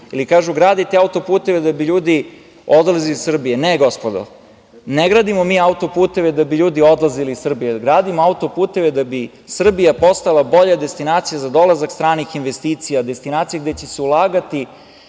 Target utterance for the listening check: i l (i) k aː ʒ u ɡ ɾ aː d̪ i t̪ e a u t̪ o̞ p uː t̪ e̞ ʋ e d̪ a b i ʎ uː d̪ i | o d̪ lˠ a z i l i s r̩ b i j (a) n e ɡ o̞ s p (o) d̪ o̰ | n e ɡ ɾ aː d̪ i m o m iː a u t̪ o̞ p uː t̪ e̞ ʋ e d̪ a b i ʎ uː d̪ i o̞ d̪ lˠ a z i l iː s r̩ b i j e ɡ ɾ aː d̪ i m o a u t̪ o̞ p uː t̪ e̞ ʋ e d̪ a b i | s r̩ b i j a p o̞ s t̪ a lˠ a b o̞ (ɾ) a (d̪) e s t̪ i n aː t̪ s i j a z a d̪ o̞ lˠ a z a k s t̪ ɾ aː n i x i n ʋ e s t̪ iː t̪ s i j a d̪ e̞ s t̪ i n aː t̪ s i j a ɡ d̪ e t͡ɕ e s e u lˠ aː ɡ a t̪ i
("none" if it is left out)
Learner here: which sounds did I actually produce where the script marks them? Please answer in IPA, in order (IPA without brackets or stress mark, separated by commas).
i, e, o, ʎ, d̪